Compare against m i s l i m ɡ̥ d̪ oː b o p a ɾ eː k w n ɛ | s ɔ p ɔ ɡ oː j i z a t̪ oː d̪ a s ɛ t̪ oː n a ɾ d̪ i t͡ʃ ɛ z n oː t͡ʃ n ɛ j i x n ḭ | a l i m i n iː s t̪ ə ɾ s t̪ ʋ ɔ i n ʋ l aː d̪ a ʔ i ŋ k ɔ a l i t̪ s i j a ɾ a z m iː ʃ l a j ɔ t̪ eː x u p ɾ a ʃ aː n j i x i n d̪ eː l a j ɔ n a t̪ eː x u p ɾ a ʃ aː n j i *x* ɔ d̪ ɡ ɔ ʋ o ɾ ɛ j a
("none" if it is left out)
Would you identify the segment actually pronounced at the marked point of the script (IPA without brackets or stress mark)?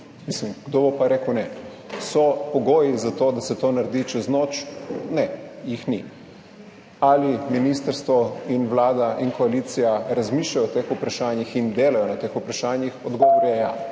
x